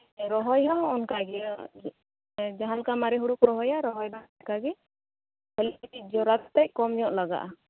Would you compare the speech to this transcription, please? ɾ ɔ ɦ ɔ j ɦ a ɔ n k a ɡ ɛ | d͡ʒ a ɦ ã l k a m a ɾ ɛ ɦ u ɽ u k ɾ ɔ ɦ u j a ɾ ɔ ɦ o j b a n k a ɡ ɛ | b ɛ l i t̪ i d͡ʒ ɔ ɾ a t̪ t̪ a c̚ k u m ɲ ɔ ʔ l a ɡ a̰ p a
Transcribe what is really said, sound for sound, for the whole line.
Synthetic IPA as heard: ɾ ɔ ɦ ɔ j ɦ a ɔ n k a ɡ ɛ | d͡ʒ a ɦ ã l k a m a ɾ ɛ ɦ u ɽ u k ɾ ɔ ɦ ɔ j a ɾ ɔ ɦ ɔ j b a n k a ɡ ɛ | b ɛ l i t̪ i d͡ʒ ɔ ɾ a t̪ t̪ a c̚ k ɔ m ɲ ɔ ʔ l a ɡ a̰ ʔ a